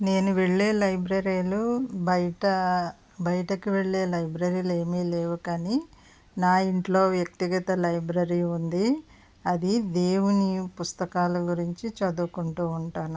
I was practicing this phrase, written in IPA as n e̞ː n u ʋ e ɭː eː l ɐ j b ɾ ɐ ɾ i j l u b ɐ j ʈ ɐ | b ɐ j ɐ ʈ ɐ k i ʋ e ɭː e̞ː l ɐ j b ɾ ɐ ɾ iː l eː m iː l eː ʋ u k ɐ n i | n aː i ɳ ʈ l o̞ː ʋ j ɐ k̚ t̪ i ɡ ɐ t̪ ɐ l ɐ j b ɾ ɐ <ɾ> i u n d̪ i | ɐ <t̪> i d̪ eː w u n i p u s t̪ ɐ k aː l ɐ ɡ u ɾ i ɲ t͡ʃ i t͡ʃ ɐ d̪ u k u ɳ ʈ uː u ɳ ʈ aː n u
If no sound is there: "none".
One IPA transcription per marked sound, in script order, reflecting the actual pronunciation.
ɾ, d̪

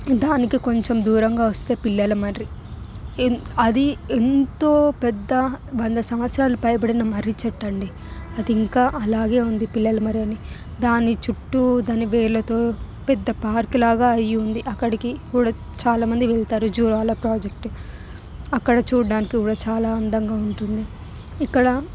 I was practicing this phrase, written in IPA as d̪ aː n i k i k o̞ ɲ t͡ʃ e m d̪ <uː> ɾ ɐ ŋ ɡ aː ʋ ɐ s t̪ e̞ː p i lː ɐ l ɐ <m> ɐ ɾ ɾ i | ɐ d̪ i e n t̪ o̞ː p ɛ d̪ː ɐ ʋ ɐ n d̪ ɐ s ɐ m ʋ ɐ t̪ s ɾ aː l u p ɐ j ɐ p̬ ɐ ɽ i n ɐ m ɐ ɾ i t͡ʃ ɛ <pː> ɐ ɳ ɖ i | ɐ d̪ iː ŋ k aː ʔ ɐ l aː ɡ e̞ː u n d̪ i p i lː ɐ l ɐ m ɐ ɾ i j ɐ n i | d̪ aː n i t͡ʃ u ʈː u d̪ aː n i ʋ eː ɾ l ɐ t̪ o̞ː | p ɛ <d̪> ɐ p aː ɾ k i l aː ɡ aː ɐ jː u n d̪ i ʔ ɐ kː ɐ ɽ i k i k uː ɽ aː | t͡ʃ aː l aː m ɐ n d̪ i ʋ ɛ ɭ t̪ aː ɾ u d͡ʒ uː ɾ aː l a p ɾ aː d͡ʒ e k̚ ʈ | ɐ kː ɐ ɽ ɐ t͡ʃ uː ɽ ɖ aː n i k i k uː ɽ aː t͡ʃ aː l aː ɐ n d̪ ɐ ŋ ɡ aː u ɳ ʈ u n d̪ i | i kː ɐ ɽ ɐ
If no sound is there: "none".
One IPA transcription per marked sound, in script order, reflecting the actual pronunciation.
uː, m, ʈː, d̪ː

